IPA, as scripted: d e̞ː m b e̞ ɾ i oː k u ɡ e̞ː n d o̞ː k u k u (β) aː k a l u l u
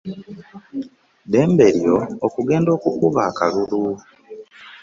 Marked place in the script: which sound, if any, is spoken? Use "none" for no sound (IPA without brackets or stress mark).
β